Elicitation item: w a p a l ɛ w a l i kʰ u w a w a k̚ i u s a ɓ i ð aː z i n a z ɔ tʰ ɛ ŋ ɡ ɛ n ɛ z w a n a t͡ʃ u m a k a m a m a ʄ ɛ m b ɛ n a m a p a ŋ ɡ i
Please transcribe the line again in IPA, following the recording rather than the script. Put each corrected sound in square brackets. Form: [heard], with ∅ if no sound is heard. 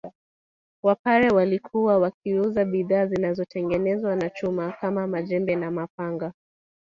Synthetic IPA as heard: w a p a [ɾ] ɛ w a l i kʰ u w a w a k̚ i u [z] a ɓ i ð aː z i n a z ɔ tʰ ɛ ŋ ɡ ɛ n ɛ z w a n a t͡ʃ u m a k a m a m a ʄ ɛ m b ɛ n a m a p a ŋ ɡ [a]